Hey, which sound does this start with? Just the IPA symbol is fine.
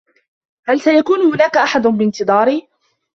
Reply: h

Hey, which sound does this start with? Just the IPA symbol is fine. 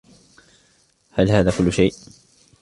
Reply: h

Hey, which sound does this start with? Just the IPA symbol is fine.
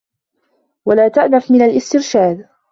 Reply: w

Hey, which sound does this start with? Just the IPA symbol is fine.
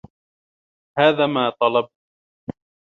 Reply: h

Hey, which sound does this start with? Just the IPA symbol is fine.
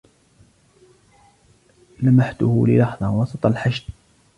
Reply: l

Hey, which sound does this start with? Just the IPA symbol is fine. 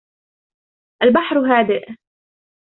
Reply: ʔ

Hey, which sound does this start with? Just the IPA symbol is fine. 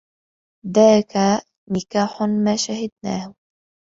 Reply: ð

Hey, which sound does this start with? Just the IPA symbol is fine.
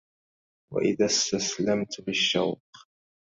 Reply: w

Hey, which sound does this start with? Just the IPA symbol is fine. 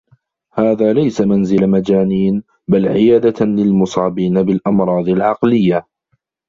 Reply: h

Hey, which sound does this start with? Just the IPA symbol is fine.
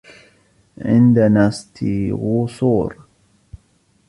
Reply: ʕ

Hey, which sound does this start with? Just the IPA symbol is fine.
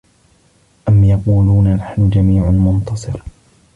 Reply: ʔ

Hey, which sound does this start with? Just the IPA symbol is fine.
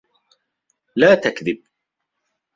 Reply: l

